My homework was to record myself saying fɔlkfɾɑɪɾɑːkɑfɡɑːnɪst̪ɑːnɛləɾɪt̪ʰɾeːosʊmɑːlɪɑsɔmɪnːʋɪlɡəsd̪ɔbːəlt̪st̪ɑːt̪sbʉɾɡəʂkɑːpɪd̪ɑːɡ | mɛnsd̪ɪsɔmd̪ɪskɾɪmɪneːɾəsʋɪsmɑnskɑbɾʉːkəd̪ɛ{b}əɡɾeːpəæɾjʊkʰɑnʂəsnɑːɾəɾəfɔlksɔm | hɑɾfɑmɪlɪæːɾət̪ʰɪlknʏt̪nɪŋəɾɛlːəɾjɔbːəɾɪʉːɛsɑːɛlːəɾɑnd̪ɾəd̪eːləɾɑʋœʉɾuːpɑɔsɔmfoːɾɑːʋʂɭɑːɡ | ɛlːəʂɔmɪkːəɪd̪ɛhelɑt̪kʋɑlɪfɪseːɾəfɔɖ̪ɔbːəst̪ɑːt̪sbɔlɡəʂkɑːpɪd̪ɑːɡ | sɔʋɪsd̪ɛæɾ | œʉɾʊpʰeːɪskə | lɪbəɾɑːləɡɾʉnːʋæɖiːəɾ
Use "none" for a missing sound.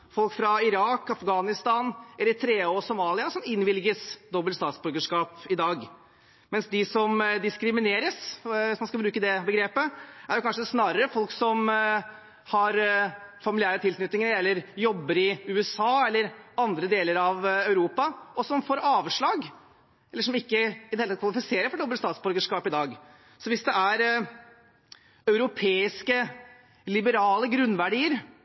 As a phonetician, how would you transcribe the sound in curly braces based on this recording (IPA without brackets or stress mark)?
b